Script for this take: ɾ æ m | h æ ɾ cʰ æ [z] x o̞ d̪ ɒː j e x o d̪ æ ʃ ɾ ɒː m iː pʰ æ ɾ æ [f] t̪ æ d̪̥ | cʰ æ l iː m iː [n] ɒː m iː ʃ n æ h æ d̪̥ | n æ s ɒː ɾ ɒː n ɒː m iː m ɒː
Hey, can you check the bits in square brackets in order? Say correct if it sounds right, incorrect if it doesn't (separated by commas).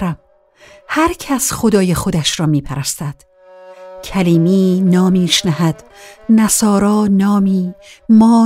incorrect, incorrect, correct